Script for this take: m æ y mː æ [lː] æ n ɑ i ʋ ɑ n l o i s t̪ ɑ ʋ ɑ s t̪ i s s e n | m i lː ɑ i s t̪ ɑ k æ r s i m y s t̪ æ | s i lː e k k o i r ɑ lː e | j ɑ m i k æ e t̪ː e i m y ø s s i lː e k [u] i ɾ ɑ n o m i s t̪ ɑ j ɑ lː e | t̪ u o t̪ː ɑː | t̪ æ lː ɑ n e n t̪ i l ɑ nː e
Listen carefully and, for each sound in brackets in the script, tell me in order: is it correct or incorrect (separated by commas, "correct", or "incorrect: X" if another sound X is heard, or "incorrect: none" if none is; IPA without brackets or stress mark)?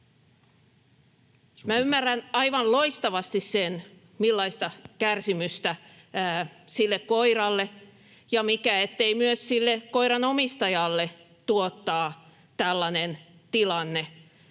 incorrect: rː, incorrect: o